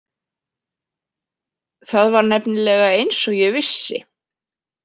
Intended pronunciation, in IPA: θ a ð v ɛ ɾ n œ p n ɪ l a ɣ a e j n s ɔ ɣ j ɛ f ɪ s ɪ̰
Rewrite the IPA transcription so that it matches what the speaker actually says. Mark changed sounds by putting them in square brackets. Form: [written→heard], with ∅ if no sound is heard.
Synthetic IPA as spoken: θ a ð v [ɛ→a] ɾ n [œ→ɛ] p n ɪ l [a→ɛ] ɣ a e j n s ɔ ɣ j ɛ [f→v] ɪ [s→sː] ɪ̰